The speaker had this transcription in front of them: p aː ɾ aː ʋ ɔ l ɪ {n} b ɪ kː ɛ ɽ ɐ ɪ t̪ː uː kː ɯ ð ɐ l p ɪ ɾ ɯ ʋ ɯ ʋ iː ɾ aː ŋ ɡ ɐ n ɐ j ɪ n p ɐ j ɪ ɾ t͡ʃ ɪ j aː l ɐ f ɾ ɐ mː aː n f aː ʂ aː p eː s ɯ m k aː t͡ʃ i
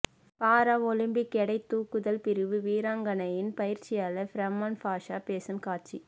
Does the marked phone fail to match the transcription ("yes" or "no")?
yes